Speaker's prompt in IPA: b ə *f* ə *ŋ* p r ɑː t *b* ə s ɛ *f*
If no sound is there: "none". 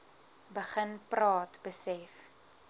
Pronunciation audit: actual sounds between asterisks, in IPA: χ, n, b, f

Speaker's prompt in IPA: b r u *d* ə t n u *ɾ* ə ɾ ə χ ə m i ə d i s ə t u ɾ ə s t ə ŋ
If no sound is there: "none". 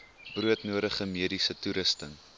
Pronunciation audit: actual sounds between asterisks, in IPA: none, none

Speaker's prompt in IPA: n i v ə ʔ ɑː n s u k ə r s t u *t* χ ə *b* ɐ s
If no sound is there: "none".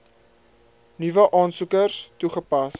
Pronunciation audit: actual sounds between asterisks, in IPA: none, p

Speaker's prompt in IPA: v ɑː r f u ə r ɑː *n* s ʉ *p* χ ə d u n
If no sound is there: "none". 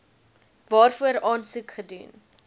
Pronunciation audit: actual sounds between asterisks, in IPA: n, k

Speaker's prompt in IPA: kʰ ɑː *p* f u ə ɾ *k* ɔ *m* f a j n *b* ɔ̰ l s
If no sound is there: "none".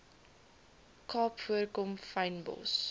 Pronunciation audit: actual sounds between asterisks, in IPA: p, k, m, b

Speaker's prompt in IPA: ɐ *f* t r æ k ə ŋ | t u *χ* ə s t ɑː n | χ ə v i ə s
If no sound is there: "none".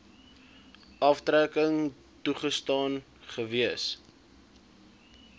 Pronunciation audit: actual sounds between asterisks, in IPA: f, χ

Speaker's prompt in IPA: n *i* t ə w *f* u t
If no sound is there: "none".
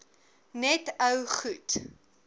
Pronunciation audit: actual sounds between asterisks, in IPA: ɛ, χ

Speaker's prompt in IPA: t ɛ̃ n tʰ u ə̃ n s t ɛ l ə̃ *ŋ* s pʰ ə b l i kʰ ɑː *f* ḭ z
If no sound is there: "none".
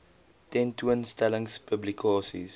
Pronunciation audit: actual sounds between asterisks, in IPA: ŋ, s

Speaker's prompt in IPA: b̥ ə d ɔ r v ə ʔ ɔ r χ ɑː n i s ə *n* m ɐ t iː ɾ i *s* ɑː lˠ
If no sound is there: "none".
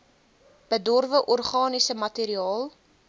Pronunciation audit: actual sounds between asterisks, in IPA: none, none

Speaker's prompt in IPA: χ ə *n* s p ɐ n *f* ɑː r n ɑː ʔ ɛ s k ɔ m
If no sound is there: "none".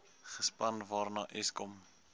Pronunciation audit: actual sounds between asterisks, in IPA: none, v

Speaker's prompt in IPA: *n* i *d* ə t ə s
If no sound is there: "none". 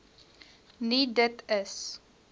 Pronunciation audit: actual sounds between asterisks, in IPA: n, d

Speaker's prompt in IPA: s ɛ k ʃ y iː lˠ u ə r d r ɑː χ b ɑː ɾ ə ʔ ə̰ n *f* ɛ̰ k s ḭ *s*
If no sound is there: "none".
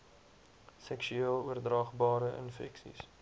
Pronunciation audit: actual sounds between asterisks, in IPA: f, s

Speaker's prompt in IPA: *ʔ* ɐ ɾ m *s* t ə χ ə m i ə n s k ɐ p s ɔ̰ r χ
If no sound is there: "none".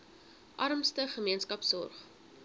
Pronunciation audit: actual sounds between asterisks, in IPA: ʔ, s

